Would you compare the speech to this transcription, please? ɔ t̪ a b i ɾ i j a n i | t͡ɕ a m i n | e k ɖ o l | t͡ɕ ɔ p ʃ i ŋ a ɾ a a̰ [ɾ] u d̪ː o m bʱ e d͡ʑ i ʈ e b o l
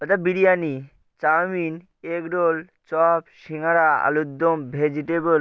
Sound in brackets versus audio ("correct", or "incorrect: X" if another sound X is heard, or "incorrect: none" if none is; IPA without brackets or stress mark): incorrect: l